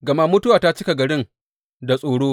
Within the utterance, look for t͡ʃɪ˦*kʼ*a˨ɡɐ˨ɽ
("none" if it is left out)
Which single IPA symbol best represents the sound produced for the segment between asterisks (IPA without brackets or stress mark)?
k